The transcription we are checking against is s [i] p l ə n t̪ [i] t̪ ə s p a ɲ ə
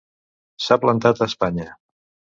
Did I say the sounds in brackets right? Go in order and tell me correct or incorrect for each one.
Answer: incorrect: a, incorrect: a

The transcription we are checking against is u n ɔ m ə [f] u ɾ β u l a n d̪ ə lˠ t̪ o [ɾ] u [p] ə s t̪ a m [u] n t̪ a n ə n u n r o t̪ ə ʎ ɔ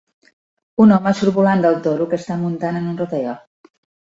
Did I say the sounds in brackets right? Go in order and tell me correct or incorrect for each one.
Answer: incorrect: s, correct, incorrect: k, correct

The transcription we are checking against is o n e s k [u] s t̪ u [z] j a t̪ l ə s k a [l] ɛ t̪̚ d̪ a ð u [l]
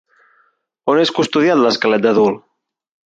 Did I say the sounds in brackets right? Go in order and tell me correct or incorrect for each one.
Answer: correct, incorrect: ð, correct, correct

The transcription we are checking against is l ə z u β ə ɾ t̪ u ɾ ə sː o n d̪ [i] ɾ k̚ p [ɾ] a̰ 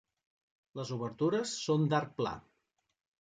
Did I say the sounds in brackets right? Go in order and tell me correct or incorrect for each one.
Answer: incorrect: a, incorrect: l

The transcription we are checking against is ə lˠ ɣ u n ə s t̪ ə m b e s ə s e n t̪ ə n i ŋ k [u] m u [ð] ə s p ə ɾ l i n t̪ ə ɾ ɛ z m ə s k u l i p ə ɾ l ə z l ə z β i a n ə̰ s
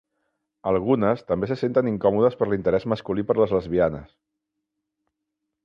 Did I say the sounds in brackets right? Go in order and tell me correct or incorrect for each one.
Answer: incorrect: ɔ, correct

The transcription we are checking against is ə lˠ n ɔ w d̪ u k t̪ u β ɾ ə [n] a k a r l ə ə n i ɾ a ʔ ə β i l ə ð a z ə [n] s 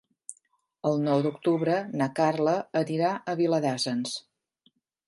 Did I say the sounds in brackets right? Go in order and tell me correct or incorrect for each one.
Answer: correct, correct

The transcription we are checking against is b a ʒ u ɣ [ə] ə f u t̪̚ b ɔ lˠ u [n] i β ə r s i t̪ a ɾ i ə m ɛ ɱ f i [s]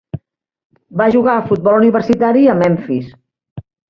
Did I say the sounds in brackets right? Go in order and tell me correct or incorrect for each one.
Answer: incorrect: a, correct, correct

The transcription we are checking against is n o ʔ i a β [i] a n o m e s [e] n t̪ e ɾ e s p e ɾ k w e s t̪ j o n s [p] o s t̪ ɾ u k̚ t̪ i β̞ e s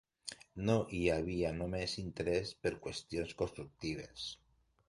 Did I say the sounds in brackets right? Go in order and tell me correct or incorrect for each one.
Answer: correct, incorrect: i, incorrect: k

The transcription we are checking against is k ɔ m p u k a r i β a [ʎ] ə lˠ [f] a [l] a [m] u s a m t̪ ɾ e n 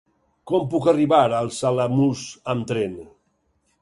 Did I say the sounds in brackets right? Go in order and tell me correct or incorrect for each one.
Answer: incorrect: ɾ, incorrect: s, correct, correct

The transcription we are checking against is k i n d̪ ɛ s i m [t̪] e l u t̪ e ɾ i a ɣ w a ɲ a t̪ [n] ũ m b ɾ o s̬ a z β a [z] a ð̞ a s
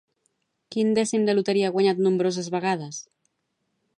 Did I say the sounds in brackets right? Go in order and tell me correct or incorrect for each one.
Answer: incorrect: d̪, correct, incorrect: ɣ

